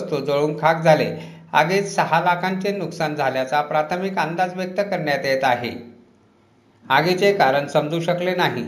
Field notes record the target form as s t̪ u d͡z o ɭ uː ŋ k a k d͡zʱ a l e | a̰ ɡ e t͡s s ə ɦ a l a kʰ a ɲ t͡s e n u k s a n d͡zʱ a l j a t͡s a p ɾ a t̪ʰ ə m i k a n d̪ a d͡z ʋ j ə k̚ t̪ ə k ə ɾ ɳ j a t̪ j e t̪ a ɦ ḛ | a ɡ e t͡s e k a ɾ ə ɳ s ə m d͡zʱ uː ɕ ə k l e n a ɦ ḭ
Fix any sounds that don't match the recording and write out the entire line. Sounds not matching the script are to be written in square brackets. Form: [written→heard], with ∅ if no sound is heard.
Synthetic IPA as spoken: s t̪ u d͡z o ɭ uː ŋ [k→kʰ] a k d͡zʱ a l e | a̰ ɡ e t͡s s ə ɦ a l a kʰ a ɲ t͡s e n u k s a n d͡zʱ a l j a t͡s a p ɾ a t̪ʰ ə m i k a n d̪ a d͡z ʋ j ə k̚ t̪ ə k ə ɾ ɳ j a t̪ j e t̪ a ɦ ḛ | a ɡ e t͡s e k a ɾ ə ɳ s ə m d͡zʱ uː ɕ ə k l e n a ɦ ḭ